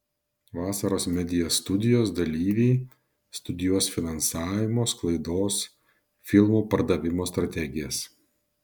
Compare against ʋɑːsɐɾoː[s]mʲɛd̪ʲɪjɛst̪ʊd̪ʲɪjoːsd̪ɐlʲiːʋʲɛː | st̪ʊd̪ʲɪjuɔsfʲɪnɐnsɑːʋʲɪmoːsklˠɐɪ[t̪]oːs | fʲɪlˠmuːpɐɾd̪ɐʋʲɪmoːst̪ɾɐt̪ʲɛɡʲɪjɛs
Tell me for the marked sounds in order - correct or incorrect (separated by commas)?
correct, incorrect